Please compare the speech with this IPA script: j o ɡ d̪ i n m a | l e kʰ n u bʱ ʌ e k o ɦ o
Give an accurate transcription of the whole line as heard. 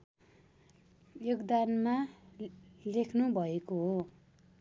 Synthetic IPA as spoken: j o ɡ d̪ a n m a | l e kʰ n u bʱ ʌ e k o ɦ o